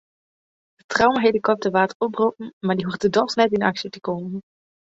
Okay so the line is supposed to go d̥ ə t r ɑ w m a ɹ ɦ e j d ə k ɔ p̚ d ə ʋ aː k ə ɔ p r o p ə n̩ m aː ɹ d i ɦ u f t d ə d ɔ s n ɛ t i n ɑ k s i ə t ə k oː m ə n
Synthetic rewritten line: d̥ ə t r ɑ w m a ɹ ɦ e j d ə k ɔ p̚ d ə ʋ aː t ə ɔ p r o p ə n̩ m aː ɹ d i ɦ u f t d ə d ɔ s n ɛ t ɪ n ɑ k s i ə t ə k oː m ə n